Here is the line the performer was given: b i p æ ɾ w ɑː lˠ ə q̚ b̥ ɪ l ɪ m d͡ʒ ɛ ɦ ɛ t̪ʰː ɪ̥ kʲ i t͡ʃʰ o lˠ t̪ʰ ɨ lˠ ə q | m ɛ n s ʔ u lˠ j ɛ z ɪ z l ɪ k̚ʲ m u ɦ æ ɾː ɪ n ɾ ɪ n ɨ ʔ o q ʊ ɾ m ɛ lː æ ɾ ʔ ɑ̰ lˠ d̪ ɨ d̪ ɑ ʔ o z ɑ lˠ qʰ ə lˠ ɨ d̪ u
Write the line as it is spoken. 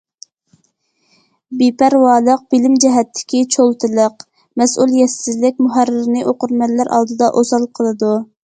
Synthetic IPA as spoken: b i p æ ɾ w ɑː lˠ ə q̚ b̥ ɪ l ɪ m d͡ʒ ɛ ɦ ɛ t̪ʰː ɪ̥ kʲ i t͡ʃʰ o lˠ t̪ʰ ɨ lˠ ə q | m ɛ s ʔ u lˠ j ɛ s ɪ z l ɪ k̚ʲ m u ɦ æ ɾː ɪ ɾ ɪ n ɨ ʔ o q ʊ ɾ m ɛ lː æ ɾ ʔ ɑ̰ lˠ d̪ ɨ d̪ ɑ ʔ o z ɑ lˠ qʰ ə lˠ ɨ d̪ u

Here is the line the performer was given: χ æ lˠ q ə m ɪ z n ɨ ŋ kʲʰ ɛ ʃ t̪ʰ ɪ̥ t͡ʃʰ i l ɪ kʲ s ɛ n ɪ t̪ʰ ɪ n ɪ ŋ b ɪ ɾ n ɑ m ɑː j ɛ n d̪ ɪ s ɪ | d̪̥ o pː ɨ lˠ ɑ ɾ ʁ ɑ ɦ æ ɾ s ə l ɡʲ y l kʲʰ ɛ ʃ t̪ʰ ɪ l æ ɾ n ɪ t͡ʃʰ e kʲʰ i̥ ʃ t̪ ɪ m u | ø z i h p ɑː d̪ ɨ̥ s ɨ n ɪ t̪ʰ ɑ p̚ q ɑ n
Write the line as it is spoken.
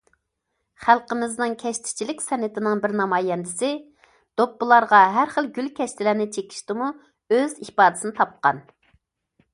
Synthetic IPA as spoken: χ æ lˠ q ə m ɪ z n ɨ ŋ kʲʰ ɛ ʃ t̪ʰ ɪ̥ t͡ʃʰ i l ɪ kʲ s ɛ n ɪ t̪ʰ ɪ n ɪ ŋ b ɪ ɾ n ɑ m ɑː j ɛ n d̪ ɪ s ɪ | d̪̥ o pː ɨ lˠ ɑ ɾ ʁ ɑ ɦ æ ɾ χ ə l ɡʲ y l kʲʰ ɛ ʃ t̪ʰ ɪ l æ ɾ n ɪ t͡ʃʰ e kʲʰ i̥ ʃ t̪ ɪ m u | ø z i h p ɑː d̪ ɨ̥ s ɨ n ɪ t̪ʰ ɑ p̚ q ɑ n

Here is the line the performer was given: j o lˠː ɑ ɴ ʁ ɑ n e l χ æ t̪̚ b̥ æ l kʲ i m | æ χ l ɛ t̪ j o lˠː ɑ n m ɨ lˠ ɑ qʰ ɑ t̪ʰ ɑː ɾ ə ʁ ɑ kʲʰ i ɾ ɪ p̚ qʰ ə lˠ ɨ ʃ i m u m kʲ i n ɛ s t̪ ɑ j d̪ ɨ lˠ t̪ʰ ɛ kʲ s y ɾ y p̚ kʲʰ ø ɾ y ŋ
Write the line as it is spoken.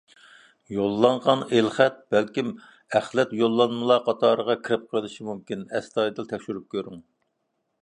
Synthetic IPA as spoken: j o lˠː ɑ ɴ ʁ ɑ n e l χ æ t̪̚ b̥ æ l kʲ i m | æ χ l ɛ t̪ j o lˠː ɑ n m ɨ lˠ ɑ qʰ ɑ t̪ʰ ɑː ɾ ə ʁ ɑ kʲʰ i ɾ ɪ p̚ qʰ ə lˠ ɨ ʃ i m u m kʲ i n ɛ s t̪ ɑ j d̪ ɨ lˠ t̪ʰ ɛ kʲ ʃ y ɾ y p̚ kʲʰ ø ɾ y ŋ

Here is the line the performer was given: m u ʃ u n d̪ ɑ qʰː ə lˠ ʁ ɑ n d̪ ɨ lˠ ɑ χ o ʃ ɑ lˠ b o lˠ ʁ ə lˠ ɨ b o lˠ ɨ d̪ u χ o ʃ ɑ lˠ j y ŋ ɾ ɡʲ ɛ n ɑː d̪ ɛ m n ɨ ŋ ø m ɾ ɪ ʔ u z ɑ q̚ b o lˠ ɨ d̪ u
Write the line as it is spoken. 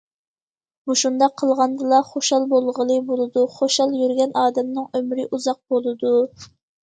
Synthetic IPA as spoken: m u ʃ u n d̪ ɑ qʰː ə lˠ ʁ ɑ n d̪ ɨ lˠ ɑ χ o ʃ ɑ lˠ b o lˠ ʁ ə lˠ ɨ b o lˠ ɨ d̪ u χ o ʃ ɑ lˠ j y ɾ ɡʲ ɛ n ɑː d̪ ɛ m n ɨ ŋ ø m ɾ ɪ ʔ u z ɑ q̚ b o lˠ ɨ d̪ u

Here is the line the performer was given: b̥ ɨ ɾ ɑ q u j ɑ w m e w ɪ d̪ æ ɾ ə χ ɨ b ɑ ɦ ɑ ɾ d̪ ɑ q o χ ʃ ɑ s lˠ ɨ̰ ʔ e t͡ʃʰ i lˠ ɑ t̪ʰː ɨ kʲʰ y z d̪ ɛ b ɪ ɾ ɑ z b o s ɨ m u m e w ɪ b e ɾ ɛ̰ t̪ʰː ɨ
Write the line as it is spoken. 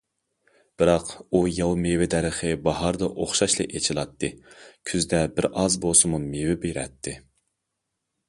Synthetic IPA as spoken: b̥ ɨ ɾ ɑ q u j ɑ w m e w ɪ d̪ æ ɾ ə χ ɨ b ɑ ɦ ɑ ɾ d̪ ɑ ʔ o χ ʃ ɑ ʃ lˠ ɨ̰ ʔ e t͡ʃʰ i lˠ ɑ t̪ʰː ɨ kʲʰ y z d̪ ɛ b ɪ ɾ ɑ z b o s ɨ m u m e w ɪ b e ɾ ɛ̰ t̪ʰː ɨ

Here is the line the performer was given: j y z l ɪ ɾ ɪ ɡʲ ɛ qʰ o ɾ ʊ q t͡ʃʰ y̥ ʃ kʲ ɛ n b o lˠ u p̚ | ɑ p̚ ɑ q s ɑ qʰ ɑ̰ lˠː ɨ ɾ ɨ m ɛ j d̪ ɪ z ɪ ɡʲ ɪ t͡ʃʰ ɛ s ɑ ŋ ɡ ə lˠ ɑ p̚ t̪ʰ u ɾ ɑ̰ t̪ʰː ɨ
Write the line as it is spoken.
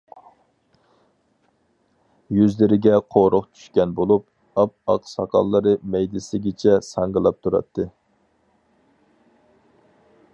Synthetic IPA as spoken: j y z l ɪ ɾ ɪ ɡʲ ɛ qʰ o ɾ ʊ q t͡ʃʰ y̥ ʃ kʲ ɛ n b o lˠ u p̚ | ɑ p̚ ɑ q s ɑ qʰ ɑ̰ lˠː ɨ ɾ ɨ m ɛ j d̪ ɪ s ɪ ɡʲ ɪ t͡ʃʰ ɛ s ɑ ŋ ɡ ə lˠ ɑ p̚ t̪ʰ u ɾ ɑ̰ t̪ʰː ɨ

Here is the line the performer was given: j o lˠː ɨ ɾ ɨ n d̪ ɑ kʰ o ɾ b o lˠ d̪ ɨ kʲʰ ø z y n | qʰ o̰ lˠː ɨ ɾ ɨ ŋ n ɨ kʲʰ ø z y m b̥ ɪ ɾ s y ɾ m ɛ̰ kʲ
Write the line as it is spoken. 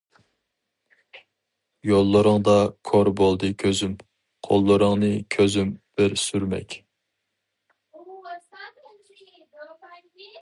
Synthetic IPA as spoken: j o lˠː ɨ ɾ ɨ ŋ d̪ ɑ kʰ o ɾ b o lˠ d̪ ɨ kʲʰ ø z y m | qʰ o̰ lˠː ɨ ɾ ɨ ŋ n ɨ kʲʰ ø z y m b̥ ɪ ɾ s y ɾ m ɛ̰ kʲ

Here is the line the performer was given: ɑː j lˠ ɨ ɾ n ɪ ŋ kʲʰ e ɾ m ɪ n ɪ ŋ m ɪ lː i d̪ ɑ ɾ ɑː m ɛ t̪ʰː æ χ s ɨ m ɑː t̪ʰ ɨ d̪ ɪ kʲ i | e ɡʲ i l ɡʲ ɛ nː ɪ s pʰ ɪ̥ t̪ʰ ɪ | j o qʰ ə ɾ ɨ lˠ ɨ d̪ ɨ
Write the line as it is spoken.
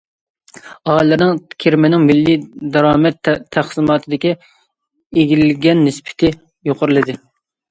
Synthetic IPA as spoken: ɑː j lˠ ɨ ɾ n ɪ ŋ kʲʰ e ɾ m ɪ n ɪ ŋ m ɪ lː i d̪ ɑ ɾ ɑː m ɛ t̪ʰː æ χ s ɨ m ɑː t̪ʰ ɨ d̪ ɪ kʲ i | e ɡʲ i l ɡʲ ɛ nː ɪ s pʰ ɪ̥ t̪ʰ ɪ | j o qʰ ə ɾ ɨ lˠ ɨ d̪ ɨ

